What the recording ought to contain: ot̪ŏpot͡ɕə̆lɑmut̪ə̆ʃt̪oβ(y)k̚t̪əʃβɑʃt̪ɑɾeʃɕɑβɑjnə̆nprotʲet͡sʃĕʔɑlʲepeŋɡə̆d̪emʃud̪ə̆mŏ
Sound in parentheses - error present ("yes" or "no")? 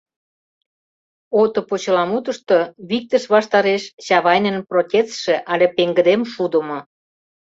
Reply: yes